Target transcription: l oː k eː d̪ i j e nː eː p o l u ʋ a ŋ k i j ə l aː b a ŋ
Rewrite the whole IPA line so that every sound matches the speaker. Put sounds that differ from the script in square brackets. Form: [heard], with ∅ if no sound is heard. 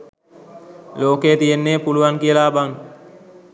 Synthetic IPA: l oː k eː [t̪] i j e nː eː p [u] l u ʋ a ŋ k i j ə l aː b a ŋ